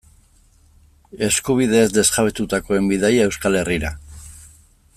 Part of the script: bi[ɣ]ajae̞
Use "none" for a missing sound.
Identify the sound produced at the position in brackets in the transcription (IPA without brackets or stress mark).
ð